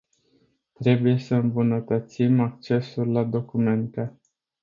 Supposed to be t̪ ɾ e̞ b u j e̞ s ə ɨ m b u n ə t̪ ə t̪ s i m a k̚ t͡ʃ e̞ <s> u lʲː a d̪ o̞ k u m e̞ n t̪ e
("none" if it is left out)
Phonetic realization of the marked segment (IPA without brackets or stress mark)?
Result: s